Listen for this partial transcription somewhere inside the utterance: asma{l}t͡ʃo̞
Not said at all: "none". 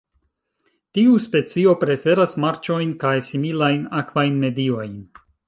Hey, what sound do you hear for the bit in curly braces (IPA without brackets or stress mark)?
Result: ɾ